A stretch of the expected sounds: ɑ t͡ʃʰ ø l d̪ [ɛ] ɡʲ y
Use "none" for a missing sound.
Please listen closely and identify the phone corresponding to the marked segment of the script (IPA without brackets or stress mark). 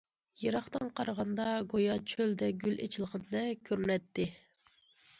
ɛ